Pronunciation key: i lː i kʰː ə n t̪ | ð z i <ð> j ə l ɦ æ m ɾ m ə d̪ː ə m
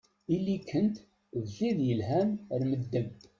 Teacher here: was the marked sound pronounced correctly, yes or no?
yes